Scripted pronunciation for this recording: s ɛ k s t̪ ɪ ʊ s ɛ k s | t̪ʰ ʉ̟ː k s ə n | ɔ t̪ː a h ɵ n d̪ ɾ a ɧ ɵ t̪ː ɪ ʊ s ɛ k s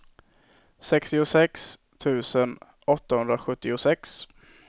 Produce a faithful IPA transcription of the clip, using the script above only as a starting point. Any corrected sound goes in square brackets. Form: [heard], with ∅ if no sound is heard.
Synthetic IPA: s ɛ k s t̪ ɪ ʊ s ɛ k s | t̪ʰ ʉ̟ː [∅] s ə n | ɔ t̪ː a h ɵ n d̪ ɾ a ɧ ɵ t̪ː ɪ ʊ s ɛ k s